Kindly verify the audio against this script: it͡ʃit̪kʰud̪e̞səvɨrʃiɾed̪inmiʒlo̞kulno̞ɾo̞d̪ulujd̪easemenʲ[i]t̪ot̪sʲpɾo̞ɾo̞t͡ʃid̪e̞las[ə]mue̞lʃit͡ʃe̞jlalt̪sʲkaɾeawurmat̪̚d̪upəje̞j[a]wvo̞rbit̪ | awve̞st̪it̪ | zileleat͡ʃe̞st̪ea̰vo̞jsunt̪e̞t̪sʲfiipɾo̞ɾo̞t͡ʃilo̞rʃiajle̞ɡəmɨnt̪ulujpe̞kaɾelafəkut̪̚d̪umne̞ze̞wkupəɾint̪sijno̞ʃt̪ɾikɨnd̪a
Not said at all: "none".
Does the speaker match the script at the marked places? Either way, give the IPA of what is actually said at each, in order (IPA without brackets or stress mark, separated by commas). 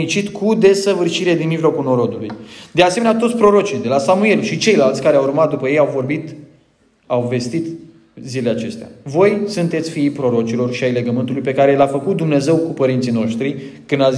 a, a, a